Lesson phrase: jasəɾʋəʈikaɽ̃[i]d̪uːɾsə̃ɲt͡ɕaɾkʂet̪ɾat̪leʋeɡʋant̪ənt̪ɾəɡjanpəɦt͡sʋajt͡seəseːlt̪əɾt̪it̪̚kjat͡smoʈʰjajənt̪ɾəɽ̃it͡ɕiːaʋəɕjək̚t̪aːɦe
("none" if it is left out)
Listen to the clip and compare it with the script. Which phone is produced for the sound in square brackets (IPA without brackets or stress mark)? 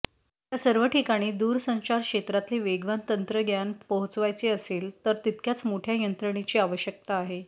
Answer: iː